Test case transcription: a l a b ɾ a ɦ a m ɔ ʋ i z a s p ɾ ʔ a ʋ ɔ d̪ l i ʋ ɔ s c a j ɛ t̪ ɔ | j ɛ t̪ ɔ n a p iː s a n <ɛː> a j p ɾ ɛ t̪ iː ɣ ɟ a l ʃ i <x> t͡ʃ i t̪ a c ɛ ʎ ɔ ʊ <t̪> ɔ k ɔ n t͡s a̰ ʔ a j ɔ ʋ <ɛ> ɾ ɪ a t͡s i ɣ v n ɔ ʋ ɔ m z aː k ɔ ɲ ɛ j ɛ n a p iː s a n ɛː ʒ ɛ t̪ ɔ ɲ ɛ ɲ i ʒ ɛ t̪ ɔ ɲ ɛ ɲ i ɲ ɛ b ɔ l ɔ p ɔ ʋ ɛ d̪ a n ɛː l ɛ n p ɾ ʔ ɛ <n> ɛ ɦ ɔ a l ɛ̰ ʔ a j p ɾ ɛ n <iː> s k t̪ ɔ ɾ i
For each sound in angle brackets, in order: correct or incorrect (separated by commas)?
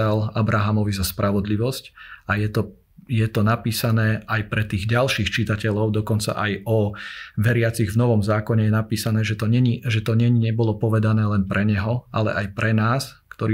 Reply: correct, correct, incorrect, correct, incorrect, incorrect